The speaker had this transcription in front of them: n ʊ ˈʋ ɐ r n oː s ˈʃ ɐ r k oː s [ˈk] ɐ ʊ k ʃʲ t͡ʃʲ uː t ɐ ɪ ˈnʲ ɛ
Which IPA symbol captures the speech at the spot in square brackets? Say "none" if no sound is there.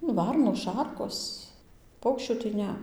p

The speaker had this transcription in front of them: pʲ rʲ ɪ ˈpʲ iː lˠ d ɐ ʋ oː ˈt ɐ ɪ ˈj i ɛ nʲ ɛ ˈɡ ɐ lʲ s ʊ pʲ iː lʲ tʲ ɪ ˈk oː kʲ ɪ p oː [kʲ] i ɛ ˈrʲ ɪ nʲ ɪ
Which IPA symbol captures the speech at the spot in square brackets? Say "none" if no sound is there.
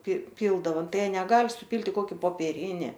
pʲ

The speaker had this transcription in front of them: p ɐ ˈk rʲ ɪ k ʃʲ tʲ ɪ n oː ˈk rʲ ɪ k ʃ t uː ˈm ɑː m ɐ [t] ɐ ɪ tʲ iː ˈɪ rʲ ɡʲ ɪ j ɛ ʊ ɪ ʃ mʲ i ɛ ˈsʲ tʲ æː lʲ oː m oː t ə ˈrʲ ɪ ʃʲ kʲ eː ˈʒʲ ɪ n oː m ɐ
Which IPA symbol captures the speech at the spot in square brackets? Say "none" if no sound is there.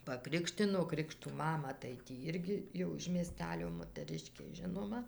t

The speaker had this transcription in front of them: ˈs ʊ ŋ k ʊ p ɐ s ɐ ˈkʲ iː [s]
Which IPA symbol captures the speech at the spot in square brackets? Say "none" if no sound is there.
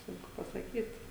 t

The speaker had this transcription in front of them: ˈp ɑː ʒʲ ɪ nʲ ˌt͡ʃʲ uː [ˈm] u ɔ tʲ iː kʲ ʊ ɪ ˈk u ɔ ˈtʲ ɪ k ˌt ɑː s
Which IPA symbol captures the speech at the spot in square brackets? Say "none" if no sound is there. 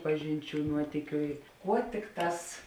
n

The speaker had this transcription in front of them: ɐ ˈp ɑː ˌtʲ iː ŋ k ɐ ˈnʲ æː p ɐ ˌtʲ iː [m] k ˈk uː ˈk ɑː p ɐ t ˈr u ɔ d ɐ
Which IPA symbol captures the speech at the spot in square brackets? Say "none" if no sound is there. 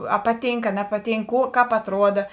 ŋ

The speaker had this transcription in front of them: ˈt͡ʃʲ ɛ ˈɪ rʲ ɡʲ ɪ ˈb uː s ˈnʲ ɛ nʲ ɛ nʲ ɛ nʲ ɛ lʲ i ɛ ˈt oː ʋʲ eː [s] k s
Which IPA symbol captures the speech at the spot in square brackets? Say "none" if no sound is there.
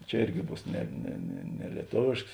ʃ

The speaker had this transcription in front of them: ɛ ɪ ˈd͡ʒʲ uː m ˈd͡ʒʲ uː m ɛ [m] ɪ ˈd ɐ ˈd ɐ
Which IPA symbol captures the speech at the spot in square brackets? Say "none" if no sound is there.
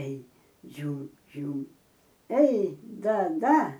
none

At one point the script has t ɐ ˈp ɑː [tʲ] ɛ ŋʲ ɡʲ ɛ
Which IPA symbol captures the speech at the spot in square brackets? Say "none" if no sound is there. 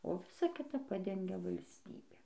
dʲ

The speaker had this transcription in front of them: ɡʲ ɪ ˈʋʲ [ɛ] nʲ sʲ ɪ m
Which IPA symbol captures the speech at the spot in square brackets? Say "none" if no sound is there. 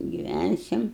æ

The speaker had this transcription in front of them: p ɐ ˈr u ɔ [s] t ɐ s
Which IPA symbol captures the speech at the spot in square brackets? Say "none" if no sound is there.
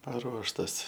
ʃ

